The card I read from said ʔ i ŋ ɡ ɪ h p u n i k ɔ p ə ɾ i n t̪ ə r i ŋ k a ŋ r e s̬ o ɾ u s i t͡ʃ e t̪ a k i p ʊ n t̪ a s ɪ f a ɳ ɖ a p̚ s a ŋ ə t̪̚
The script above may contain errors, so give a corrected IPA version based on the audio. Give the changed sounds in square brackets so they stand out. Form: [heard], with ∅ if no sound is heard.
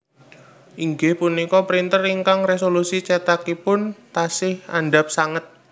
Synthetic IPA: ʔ i ŋ ɡ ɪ h p u n i k ɔ p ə ɾ i n t̪ ə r i ŋ k a ŋ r e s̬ o [l] u s i t͡ʃ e t̪ a k i p ʊ n t̪ a s ɪ [h] a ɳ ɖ a p̚ s a ŋ ə t̪̚